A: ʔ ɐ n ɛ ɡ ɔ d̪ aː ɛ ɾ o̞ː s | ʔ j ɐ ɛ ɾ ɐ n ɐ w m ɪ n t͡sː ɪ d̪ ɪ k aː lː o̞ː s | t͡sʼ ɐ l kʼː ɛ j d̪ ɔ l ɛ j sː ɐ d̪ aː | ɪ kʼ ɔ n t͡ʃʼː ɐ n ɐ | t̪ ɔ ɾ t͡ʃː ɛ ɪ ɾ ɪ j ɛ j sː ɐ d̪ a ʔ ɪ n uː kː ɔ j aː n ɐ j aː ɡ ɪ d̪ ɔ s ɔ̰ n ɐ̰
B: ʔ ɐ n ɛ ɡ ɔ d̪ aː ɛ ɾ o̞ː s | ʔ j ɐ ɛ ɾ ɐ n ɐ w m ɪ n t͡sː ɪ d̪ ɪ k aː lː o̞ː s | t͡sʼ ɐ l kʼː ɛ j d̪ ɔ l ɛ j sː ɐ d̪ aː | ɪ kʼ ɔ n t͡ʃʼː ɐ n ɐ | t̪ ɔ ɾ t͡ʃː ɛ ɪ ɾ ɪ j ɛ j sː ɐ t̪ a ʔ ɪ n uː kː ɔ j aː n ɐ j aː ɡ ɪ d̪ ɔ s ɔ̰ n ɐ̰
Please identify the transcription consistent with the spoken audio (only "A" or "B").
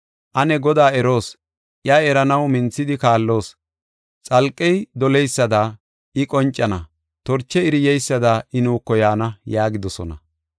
A